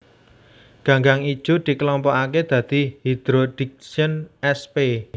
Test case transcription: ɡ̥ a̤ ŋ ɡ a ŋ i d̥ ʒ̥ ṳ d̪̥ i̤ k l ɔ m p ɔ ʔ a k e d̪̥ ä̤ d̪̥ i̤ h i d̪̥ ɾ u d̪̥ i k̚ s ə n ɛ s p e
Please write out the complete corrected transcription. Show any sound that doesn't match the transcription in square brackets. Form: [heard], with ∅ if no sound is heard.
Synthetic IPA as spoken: ɡ̥ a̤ ŋ ɡ a ŋ i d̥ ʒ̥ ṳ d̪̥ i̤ k l ɔ m p ɔ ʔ a k e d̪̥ ä̤ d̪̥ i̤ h i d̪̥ ɾ [o] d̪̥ i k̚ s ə n ɛ s p e